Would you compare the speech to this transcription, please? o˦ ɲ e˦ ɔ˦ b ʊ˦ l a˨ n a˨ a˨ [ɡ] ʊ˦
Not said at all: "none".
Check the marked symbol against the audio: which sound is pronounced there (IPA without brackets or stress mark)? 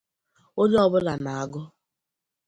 ɡ